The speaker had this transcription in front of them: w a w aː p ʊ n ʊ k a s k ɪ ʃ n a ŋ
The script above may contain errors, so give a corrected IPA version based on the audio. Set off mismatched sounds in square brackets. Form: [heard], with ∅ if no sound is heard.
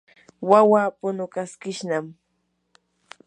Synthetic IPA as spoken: w a w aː p ʊ n ʊ k a s k ɪ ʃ n a [m]